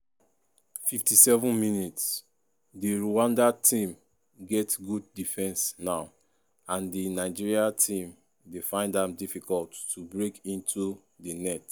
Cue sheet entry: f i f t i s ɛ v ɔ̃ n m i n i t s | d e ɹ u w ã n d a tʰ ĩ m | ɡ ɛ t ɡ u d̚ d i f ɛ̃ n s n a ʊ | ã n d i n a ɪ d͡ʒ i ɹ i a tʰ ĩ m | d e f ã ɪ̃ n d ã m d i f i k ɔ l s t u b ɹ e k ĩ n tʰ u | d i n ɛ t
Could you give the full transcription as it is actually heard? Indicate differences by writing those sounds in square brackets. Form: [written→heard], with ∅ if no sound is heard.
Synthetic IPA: f i f t i s ɛ v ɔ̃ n m i n i t s | d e ɹ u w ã n d a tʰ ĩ m | ɡ ɛ t ɡ u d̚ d i f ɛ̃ n s n a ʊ | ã n d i n a ɪ d͡ʒ i ɹ i a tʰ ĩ m | d e f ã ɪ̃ n d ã m d i f i k ɔ l [s→t] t u b ɹ e k ĩ n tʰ u | d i n ɛ t